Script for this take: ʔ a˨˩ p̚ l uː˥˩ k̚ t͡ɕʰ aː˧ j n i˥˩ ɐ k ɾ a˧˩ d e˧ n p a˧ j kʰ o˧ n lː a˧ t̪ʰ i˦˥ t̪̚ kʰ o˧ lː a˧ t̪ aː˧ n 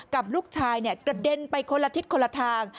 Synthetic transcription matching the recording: k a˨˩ p̚ l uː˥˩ k̚ t͡ɕʰ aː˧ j n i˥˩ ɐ k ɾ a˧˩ d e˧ n p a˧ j kʰ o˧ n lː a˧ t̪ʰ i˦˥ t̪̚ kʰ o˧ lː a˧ t̪ʰ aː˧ ŋ